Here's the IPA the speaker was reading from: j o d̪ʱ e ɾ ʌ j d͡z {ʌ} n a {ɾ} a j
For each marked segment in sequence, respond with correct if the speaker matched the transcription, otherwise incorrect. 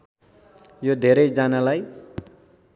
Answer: incorrect: a, incorrect: l

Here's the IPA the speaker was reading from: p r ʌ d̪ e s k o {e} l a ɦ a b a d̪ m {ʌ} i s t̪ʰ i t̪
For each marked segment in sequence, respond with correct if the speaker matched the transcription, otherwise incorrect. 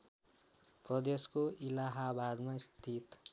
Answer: incorrect: i, incorrect: a

